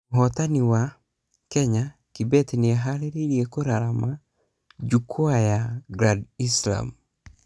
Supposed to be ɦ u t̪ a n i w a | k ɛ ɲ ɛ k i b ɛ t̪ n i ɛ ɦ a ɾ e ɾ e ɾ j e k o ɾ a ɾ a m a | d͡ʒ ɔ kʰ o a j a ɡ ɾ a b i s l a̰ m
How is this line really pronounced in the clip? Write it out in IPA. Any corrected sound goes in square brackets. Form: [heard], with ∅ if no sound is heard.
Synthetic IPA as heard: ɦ [ɔ] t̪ a n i w a | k ɛ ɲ [a] k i b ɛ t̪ n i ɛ ɦ a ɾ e ɾ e ɾ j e k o ɾ a ɾ a m a | d͡ʒ [u] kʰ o a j a ɡ ɾ a [d] i s l a̰ m

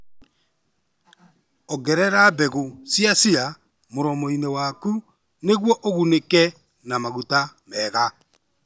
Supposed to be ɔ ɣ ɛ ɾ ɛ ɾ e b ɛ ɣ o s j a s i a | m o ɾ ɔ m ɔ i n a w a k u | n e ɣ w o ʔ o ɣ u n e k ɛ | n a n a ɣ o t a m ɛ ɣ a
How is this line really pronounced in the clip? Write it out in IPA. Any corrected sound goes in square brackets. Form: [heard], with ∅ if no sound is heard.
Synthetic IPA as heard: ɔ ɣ ɛ ɾ ɛ ɾ [a] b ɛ ɣ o s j a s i a | m o ɾ ɔ m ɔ i n [e] w a k u | n e ɣ w [ɔ] ʔ o ɣ u n e k ɛ | n a [m] a ɣ [u] t a m ɛ ɣ a

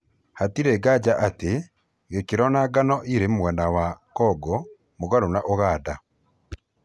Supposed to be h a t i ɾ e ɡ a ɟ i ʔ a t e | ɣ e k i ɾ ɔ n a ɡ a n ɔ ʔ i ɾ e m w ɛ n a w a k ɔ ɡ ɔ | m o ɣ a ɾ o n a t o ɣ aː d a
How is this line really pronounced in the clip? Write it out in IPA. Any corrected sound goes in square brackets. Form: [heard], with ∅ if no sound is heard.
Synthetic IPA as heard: h a t i ɾ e ɡ a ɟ [a] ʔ a t e | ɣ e k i ɾ ɔ n a ɡ a n ɔ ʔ i ɾ e m w ɛ n a w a k ɔ ɡ ɔ | m o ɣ a ɾ o n a [ʔ] o ɣ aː d a

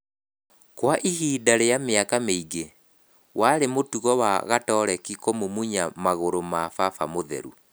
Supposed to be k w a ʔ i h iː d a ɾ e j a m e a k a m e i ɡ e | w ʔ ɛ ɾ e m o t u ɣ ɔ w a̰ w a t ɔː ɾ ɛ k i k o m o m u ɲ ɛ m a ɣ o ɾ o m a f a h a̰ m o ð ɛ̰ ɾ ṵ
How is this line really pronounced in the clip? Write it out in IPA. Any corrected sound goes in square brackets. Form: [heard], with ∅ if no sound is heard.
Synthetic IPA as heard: k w a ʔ i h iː d a ɾ e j a m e a k a m e i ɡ e | w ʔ [a] ɾ e m o t u ɣ ɔ w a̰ [ɣ] a t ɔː ɾ ɛ k i k o m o m u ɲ [a] m a ɣ o ɾ o m a f a [f] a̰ m o ð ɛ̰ ɾ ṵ

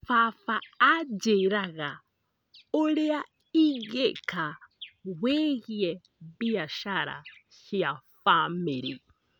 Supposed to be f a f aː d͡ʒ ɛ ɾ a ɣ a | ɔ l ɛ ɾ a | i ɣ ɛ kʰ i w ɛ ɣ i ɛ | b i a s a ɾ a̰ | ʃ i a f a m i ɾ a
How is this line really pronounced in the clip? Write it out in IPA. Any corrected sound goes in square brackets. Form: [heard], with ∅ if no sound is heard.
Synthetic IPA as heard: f a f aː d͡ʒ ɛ ɾ a ɣ a | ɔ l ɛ [∅] a | i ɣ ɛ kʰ [a] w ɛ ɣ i ɛ | b i a [ʃ] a ɾ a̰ | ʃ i a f a m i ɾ [i]

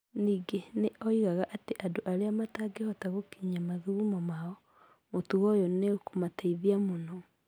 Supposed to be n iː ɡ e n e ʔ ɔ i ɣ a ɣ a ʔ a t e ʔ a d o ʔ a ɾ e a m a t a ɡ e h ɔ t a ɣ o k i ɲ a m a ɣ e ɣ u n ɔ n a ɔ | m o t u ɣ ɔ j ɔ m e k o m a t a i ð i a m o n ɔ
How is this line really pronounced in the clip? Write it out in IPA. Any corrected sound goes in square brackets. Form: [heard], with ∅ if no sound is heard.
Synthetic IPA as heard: n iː ɡ e n e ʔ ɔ i ɣ a ɣ a ʔ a t e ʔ a d o ʔ a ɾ e a m a t a ɡ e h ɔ t a ɣ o k i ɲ a m a ɣ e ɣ u [m] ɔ [m] a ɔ | m o t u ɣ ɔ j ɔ [n] e k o m a t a i ð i a m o n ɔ

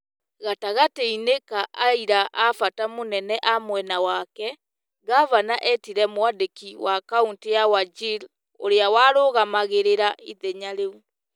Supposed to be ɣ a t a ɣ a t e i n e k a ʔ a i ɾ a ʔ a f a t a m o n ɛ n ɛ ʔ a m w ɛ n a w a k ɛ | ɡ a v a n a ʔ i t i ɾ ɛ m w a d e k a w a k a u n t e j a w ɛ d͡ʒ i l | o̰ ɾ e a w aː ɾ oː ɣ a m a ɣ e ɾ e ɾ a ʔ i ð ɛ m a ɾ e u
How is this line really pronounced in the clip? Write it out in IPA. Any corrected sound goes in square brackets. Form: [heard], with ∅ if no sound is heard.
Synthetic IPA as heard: ɣ a t a ɣ a t e i n e k a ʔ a i ɾ a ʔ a f a t a m o n ɛ n ɛ ʔ a m w ɛ n a w a k ɛ | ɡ a v a n a ʔ [ɛ] t i ɾ ɛ m w a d e k [i] w a k a u n t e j a w [a] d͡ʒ i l | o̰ ɾ e a w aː ɾ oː ɣ a m a ɣ e ɾ e ɾ a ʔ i ð ɛ [ɲ] a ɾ e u

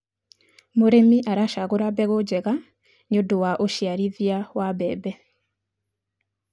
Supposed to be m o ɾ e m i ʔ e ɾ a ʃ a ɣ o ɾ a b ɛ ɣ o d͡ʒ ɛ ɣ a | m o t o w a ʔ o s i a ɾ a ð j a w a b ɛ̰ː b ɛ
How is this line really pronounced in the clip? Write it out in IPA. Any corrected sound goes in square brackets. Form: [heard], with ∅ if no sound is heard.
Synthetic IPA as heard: m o ɾ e m i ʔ [a] ɾ a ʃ a ɣ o ɾ a b ɛ ɣ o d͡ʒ ɛ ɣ a | [ɲ] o [d] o w a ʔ o [ʃ] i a ɾ [i] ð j a w a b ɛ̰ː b ɛ

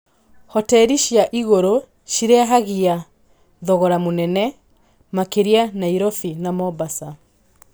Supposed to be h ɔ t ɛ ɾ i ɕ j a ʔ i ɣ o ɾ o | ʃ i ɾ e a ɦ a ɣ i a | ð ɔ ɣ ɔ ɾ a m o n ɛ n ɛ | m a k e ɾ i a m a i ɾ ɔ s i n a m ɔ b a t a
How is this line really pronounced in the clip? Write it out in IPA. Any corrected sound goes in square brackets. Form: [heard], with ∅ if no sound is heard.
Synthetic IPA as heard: h ɔ t ɛ ɾ i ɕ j a ʔ i ɣ o ɾ o | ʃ i ɾ e a ɦ a ɣ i a | ð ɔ ɣ ɔ ɾ a m o n ɛ n ɛ | m a k e ɾ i a [n] a i ɾ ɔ [f] i n a m ɔ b a [s] a

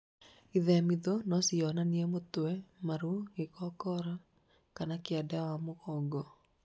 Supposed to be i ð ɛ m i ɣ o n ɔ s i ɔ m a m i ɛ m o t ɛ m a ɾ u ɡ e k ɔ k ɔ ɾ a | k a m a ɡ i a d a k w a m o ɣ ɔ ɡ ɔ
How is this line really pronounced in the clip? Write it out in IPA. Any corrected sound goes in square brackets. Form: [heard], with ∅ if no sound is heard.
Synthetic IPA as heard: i ð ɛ m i [ð] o n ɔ s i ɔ [n] a [n] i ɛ m o t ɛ m a ɾ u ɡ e k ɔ k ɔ ɾ a | k a [n] a [k] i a d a [∅] w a m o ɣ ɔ ɡ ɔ

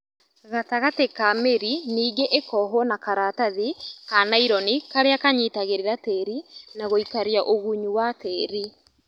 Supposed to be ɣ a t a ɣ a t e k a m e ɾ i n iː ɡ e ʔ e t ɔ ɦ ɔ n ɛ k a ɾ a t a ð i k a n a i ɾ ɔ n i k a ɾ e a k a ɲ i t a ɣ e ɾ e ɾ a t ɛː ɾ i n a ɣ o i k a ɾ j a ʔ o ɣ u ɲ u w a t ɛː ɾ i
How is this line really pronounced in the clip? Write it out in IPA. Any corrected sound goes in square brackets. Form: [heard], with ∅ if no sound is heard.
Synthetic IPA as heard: ɣ a t a ɣ a t e k a m e ɾ i n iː ɡ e ʔ e [k] ɔ ɦ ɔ n [a] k a ɾ a t a ð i k a n a i ɾ ɔ n i k a ɾ e a k a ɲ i t a ɣ e ɾ e ɾ a t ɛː ɾ i n a ɣ o i k a ɾ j a ʔ o ɣ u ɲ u w a t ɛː ɾ i

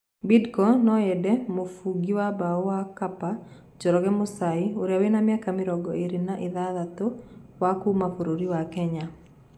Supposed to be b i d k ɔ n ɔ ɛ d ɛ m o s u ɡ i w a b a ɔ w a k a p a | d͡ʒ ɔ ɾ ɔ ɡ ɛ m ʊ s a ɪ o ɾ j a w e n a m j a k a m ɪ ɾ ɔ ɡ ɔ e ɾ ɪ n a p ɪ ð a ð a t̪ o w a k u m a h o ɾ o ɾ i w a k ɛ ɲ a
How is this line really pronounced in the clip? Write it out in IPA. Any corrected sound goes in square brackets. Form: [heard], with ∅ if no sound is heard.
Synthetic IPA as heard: b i d k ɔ n ɔ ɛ d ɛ m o [f] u ɡ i w a b a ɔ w a k a p a | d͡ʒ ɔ ɾ ɔ ɡ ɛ m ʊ s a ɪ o ɾ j a w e n a m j a k a m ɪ ɾ ɔ ɡ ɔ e ɾ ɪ n a [ʔ] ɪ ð a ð a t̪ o w a k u m a [f] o ɾ o ɾ i w a k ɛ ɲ a

